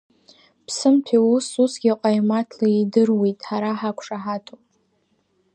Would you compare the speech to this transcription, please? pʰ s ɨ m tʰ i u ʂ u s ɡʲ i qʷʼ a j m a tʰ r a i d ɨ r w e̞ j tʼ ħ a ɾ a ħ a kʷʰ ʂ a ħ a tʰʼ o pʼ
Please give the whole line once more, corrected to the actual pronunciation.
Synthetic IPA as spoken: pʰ s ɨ m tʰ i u s u s ɡʲ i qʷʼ a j m a tʰ l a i d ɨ r w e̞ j tʼ ħ a ɾ a ħ a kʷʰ ʂ a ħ a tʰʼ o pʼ

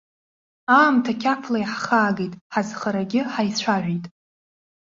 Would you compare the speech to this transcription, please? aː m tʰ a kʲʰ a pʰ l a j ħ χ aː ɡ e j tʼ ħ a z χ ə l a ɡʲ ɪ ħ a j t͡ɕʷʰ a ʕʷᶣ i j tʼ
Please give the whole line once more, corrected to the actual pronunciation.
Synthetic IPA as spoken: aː m tʰ a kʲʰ a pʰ l a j ħ χ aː ɡ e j tʼ ħ a z χ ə ɾ a ɡʲ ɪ ħ a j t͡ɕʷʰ a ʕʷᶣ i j tʼ

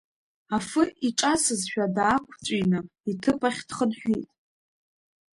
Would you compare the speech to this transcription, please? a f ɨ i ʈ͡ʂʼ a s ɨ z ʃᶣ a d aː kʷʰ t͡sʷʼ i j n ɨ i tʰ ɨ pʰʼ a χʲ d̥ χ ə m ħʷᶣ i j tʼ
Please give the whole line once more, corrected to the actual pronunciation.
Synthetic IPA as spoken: a f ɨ i ʈ͡ʂʼ a s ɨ z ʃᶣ a d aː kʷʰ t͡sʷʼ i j n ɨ i tʰ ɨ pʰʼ a χʲ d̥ χ ə n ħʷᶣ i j tʼ

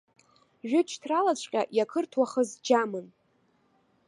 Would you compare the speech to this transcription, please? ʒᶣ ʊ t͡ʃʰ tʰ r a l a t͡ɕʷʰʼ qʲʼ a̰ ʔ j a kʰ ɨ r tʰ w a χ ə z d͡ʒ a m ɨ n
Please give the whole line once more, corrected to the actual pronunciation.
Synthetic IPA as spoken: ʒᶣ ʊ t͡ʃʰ tʰ r a l a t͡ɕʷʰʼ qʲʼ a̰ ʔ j a kʰ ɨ r tʰ w a χ ə z d͡ʒ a m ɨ n

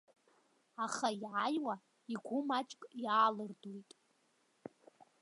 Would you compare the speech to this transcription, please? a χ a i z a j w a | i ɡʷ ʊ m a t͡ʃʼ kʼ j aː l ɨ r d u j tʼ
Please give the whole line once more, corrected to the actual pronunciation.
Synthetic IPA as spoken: a χ a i ʕ a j w a | i ɡʷ ʊ m a t͡ʃʼ kʼ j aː l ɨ r d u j tʼ

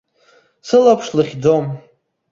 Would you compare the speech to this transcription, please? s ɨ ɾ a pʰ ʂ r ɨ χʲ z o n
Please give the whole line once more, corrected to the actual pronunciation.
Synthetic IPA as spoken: s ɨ l a pʰ ʂ l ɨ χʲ d͡z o m

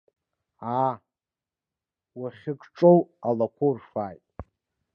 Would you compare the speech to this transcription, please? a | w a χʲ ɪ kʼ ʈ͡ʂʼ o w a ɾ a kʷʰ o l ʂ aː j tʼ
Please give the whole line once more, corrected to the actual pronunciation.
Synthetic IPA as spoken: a | w a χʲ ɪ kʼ ʈ͡ʂʼ o w a l a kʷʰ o r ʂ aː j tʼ

